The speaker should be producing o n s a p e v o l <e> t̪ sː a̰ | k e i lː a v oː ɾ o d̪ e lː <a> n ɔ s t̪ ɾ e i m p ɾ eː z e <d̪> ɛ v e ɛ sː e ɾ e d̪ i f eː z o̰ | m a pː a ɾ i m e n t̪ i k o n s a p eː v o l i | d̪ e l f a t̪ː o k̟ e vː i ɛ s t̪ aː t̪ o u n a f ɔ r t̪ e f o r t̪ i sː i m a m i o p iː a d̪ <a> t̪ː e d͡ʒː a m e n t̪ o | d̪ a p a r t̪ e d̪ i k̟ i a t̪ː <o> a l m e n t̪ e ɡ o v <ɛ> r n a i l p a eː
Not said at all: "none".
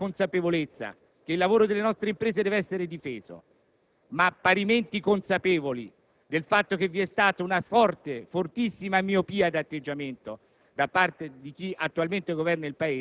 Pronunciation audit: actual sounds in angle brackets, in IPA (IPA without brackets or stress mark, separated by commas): e, e, d̪, a, u, ɛ